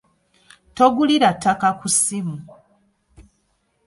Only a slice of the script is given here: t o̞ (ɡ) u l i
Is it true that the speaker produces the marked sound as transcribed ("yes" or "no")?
yes